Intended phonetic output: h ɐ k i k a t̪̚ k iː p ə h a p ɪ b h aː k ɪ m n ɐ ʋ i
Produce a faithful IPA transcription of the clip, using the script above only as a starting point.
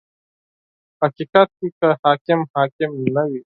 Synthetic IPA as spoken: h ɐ k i k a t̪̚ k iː k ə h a k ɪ m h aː k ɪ m n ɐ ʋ i